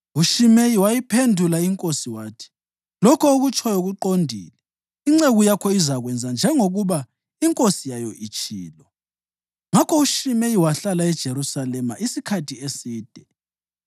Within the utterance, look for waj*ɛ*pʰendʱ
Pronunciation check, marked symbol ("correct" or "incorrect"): incorrect